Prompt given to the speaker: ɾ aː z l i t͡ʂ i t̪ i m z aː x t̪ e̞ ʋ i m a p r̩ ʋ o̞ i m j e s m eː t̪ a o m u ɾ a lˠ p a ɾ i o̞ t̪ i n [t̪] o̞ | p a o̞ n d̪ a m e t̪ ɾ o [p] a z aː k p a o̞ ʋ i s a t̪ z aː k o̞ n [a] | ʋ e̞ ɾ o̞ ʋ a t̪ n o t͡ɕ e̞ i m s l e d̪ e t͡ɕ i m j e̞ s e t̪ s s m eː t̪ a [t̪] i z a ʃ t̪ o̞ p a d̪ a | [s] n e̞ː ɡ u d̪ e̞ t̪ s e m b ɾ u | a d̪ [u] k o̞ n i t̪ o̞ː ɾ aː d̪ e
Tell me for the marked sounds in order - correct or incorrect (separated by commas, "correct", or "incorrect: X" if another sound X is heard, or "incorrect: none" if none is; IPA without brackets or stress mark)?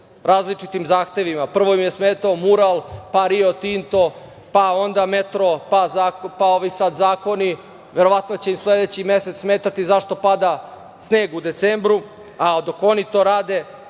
correct, correct, incorrect: i, correct, correct, incorrect: o